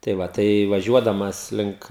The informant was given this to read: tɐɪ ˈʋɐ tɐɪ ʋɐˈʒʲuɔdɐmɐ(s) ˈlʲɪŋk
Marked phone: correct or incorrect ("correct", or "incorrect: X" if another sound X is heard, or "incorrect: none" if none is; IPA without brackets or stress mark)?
correct